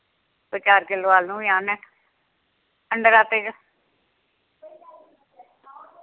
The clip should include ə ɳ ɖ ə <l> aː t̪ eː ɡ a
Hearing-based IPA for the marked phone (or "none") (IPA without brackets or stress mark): ɾ